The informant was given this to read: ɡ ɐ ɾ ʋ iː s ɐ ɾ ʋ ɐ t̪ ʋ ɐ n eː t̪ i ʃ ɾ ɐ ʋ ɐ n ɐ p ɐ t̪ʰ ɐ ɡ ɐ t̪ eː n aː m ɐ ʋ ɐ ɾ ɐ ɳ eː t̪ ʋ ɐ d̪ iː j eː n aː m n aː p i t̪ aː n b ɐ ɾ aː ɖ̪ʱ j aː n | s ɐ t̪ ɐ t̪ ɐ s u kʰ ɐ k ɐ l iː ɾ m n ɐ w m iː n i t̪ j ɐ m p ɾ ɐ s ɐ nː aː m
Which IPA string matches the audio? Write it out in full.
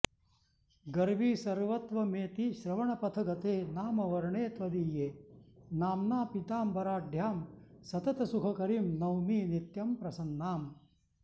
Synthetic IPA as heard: ɡ ɐ ɾ ʋ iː s ɐ ɾ ʋ ɐ t̪ ʋ ɐ m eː t̪ i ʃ ɾ ɐ ʋ ɐ ɳ ɐ p ɐ t̪ʰ ɐ ɡ ɐ t̪ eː n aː m ɐ ʋ ɐ ɾ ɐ ɳ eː t̪ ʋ ɐ d̪ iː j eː n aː m n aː p i t̪ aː m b ɐ ɾ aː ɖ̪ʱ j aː m | s ɐ t̪ ɐ t̪ ɐ s u kʰ ɐ k ɐ ɾ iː m n ɐ w m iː n i t̪ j ɐ m p ɾ ɐ s ɐ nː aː m